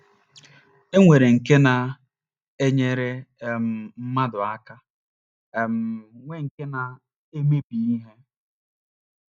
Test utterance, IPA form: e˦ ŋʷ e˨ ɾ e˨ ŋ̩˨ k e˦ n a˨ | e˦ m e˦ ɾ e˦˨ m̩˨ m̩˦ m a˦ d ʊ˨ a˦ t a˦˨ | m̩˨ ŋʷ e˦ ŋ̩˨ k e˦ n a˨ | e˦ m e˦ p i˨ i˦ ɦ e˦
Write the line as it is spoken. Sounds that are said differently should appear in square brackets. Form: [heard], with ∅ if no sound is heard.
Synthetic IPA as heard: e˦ ŋʷ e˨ ɾ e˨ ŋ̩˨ k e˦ n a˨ | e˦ [ɲ] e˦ ɾ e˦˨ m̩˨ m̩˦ m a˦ d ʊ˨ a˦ [k] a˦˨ | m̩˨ ŋʷ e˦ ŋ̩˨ k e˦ n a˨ | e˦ m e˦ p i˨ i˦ ɦ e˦

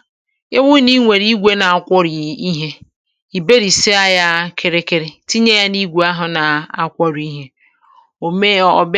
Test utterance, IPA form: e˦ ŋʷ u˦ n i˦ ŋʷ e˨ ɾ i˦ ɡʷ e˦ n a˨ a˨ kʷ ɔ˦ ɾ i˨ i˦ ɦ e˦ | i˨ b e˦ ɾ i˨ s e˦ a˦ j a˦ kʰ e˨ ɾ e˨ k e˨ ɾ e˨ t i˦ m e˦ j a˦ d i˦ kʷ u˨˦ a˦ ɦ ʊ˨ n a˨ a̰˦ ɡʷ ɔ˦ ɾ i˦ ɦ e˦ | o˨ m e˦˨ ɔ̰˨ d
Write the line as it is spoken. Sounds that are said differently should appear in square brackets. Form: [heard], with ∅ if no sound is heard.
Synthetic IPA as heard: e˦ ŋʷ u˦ n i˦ ŋʷ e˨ ɾ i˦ ɡʷ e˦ n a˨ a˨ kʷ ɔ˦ ɾ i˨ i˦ ɦ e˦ | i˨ b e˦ ɾ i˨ s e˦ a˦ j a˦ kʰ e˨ ɾ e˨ k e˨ ɾ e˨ t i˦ [ɲ] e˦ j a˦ [n] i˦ [ɡʷ] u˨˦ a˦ ɦ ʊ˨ n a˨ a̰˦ [kʷ] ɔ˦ ɾ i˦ ɦ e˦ | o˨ m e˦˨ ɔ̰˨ [b]

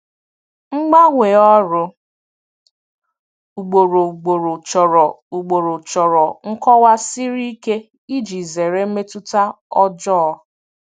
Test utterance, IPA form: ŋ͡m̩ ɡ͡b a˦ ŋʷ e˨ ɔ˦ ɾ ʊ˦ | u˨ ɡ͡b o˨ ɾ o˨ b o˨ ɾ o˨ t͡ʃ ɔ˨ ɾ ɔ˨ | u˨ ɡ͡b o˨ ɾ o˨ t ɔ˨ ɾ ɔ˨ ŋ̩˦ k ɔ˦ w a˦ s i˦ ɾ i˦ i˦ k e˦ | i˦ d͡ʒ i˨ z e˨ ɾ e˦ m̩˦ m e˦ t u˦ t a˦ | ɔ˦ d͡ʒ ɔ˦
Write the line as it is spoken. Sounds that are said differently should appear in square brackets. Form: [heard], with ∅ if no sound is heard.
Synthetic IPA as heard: ŋ͡m̩ ɡ͡b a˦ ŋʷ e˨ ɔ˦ ɾ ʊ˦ | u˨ ɡ͡b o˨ ɾ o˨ [ɡ͡b] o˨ ɾ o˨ t͡ʃ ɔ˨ ɾ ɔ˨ | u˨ ɡ͡b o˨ ɾ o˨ [t͡ʃ] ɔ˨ ɾ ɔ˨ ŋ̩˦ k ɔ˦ w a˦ s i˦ ɾ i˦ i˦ k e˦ | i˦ d͡ʒ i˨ z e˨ ɾ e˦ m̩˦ m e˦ t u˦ t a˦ | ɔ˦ d͡ʒ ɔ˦

